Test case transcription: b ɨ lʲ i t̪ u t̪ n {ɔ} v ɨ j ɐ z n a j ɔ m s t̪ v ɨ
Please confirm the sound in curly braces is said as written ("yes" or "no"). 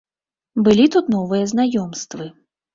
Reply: yes